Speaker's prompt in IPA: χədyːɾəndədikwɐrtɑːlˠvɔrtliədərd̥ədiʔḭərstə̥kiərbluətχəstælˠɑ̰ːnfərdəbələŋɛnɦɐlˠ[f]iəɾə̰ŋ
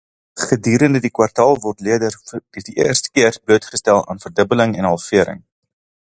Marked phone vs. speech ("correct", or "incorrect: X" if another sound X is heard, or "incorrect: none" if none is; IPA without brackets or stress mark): correct